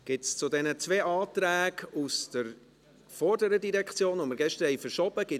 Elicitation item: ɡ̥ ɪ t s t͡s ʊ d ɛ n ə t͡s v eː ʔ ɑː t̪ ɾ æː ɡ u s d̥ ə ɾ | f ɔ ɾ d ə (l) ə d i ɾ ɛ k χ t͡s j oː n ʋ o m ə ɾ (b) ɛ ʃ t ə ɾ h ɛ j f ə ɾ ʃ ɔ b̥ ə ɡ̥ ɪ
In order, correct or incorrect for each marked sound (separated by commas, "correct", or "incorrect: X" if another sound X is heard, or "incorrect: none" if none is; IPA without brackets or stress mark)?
incorrect: ɾ, incorrect: ɡ